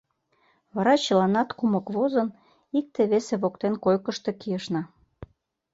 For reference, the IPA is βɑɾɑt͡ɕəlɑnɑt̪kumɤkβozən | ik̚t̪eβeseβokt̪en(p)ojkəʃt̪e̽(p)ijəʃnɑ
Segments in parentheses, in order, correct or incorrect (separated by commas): incorrect, incorrect